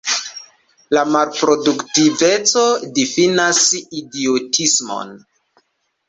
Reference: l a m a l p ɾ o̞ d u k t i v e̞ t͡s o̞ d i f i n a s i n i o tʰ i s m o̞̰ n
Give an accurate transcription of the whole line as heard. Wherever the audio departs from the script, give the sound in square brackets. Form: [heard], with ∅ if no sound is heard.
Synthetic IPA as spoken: l a m a l p ɾ o̞ d u k t i v e̞ t͡s o̞ d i f i n a s i [d] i o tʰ i s m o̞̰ n